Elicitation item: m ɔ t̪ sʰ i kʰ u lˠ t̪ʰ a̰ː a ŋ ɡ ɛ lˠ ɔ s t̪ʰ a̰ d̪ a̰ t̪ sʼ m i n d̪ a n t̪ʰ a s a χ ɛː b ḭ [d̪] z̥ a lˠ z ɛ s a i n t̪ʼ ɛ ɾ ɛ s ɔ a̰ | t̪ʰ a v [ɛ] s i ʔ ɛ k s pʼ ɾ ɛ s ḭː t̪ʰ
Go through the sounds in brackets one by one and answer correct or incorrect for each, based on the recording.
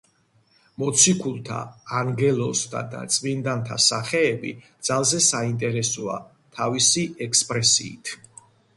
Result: correct, incorrect: i

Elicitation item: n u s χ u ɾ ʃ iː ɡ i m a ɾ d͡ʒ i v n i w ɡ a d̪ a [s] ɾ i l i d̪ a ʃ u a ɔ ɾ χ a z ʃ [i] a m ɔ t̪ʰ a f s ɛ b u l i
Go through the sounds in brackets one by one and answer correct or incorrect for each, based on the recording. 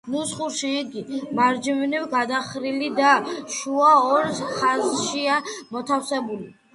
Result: incorrect: χ, correct

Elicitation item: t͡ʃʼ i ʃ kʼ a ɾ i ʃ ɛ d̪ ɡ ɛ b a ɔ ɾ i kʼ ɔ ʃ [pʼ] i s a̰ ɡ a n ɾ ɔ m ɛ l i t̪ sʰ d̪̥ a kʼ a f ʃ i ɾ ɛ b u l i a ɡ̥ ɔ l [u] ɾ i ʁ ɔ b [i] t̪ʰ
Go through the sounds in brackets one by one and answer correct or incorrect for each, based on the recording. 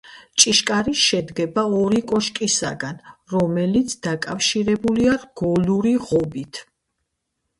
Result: incorrect: kʼ, correct, correct

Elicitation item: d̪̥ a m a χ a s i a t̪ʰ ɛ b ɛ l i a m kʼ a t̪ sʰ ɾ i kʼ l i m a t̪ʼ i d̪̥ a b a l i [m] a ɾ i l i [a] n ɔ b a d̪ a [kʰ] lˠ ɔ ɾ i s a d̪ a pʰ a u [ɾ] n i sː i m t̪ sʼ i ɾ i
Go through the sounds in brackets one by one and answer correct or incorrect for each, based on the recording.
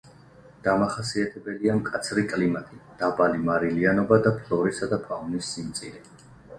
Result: correct, correct, incorrect: pʰ, incorrect: none

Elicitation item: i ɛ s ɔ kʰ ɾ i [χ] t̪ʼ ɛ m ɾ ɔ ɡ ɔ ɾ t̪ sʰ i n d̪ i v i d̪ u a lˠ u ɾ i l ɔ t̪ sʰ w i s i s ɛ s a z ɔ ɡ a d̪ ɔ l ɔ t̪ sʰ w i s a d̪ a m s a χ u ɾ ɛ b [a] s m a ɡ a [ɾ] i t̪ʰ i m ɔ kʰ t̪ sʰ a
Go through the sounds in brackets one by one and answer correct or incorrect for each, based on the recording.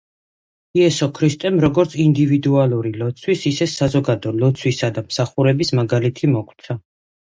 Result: incorrect: s, incorrect: i, incorrect: l

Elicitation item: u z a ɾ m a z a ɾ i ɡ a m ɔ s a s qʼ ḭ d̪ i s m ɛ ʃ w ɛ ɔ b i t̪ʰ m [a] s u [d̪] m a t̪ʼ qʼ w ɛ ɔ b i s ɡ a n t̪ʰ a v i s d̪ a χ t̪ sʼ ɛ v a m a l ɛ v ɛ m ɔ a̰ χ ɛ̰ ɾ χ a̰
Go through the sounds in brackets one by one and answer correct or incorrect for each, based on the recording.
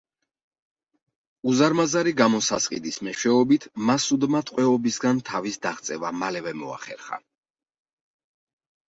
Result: correct, correct

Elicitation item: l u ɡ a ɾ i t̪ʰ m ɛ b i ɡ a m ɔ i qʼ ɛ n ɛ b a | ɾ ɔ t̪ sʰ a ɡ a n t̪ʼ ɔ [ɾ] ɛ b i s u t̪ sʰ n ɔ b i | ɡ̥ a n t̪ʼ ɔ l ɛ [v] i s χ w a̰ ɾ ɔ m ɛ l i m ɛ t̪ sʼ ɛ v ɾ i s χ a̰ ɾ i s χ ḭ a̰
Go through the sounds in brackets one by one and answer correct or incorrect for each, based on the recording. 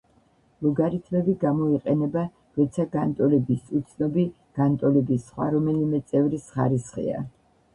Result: incorrect: l, incorrect: b

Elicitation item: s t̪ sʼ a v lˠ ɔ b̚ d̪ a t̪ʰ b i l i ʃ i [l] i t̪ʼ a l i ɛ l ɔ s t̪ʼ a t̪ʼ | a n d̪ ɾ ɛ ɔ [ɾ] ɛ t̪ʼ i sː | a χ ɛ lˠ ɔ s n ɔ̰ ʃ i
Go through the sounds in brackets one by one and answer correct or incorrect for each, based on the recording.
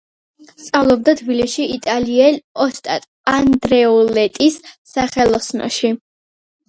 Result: incorrect: none, incorrect: l

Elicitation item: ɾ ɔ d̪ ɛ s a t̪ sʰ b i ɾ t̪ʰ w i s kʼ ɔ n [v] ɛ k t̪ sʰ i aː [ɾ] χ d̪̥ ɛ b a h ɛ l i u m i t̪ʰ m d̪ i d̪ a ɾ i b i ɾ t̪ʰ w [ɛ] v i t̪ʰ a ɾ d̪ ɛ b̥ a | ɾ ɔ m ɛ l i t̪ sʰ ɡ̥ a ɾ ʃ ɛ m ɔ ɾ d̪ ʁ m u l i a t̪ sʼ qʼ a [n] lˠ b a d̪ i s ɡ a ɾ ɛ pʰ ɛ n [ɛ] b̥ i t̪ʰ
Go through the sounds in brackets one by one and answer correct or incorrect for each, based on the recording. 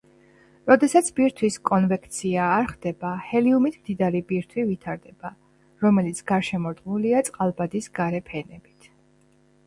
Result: correct, correct, incorrect: i, incorrect: none, correct

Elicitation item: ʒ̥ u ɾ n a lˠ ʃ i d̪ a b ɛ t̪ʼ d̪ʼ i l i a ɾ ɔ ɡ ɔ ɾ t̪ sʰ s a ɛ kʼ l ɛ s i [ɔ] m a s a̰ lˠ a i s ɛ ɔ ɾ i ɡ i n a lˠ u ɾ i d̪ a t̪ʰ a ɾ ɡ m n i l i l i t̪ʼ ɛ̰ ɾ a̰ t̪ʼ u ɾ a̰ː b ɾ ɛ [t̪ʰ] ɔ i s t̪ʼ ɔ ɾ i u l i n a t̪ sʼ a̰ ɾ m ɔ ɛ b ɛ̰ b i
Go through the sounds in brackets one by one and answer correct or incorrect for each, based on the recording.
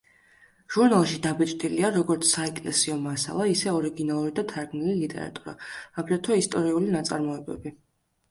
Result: correct, correct

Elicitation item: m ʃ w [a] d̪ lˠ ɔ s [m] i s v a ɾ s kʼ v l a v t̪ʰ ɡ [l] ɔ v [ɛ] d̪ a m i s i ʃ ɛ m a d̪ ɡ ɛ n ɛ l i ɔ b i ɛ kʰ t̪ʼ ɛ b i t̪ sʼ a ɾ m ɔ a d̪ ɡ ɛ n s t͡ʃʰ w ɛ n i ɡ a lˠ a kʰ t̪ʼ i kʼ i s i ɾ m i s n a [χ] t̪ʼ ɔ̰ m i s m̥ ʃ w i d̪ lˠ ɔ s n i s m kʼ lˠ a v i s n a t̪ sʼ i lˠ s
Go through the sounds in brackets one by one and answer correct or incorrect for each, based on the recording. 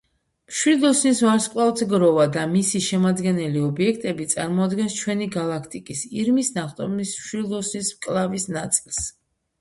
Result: incorrect: i, incorrect: n, incorrect: ɾ, incorrect: a, correct

